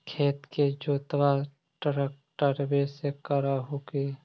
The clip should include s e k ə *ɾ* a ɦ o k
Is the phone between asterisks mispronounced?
no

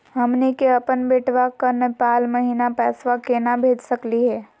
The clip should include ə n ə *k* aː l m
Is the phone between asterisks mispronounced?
yes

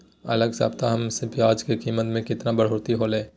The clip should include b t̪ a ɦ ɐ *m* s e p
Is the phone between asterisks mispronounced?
no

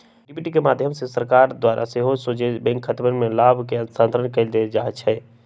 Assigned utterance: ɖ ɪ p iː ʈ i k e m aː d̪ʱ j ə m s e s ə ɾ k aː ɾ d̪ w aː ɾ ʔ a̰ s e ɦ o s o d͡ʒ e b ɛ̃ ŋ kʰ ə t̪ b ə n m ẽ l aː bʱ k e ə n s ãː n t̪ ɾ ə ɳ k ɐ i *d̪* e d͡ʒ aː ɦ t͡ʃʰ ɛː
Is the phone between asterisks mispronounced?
no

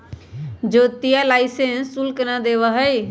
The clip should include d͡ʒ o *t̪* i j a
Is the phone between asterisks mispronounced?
no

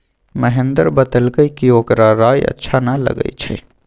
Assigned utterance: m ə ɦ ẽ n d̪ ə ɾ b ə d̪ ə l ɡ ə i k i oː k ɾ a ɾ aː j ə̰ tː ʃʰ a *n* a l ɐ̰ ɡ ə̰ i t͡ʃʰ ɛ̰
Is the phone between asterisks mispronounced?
no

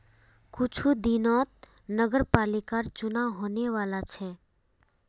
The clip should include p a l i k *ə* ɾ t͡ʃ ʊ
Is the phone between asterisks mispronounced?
yes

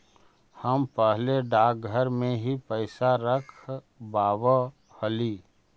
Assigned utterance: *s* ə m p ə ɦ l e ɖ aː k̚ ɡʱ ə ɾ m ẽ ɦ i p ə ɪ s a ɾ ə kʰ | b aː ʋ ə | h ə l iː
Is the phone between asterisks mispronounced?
yes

